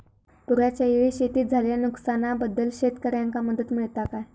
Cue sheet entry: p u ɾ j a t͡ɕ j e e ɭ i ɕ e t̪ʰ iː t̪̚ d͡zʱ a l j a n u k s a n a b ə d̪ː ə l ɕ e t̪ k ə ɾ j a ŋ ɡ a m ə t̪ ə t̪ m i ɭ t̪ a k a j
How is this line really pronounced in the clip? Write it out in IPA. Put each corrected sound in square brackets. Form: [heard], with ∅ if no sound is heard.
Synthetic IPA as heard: p u ɾ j a t͡ɕ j [a] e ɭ i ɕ e [t̪] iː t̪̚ d͡zʱ a l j a n u k s a n a b ə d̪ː ə l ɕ e t̪ k ə ɾ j a ŋ [k] a m ə [d̪] ə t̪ m i ɭ t̪ a k a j